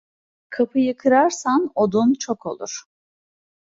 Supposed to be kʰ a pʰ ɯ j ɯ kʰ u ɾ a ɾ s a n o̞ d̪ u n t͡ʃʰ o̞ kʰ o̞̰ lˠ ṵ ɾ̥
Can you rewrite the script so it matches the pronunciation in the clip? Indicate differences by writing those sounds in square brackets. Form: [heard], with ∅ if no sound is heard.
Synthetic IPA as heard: kʰ a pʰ ɯ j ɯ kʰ [ɯ] ɾ a ɾ s a n o̞ d̪ u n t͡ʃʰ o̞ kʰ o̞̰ lˠ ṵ ɾ̥

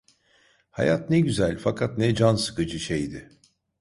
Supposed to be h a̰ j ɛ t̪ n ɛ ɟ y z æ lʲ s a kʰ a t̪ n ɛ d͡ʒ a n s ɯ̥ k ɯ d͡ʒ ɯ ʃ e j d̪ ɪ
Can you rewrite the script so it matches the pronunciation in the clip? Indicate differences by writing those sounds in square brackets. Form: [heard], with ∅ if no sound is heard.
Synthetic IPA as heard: h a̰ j [a] t̪ n ɛ ɟ y z æ lʲ [f] a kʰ a t̪ n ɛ d͡ʒ a n s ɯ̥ k ɯ d͡ʒ ɯ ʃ e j d̪ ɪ

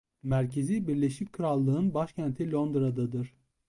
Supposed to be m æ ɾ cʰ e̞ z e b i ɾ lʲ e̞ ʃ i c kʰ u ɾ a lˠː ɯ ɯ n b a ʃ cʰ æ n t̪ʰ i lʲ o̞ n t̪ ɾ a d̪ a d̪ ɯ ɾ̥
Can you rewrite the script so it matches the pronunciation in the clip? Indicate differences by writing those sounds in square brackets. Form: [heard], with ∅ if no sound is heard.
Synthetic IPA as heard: m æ ɾ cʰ e̞ z [i] b i ɾ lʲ e̞ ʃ i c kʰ [ɯ] ɾ a lˠː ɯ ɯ n b a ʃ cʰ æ n t̪ʰ i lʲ o̞ n [d̪] ɾ a d̪ a d̪ ɯ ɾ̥

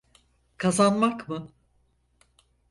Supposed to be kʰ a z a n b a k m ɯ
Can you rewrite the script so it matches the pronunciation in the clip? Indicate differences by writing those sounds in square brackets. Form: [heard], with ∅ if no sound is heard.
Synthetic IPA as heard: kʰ a z a n [m] a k m ɯ

